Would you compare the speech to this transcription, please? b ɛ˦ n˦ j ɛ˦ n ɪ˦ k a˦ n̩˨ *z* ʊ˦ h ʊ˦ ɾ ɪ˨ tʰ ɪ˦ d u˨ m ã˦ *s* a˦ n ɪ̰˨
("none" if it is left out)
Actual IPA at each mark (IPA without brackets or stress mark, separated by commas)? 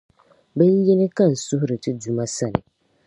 s, s